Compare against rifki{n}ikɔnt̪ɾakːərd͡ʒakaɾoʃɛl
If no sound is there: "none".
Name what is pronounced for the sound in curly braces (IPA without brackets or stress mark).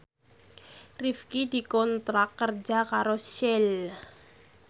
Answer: d